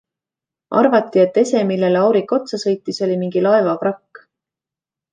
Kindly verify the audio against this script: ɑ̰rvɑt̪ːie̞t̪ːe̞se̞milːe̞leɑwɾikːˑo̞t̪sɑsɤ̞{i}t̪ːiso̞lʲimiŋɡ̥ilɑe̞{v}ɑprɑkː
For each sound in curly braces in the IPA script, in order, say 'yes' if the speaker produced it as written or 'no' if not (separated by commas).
no, yes